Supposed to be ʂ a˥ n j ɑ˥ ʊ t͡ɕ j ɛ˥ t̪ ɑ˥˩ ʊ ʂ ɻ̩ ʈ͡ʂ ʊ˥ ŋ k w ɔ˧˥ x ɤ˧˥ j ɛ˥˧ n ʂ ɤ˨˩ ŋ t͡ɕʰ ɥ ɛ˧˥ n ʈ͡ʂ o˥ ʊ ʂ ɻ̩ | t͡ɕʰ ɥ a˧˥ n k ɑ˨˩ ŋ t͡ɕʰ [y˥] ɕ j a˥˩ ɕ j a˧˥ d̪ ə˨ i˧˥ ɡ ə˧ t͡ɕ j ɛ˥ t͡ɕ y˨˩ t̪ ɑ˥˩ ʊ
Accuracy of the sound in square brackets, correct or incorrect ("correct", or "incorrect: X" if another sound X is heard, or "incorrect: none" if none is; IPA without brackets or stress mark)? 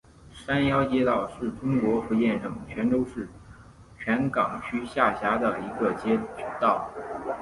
correct